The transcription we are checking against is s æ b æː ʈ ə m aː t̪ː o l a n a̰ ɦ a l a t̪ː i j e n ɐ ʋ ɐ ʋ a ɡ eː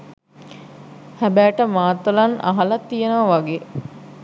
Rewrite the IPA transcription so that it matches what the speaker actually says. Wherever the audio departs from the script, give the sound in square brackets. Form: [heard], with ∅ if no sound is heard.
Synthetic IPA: [h] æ b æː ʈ ə m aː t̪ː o l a n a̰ ɦ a l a t̪ː i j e n [ə] ʋ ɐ ʋ a ɡ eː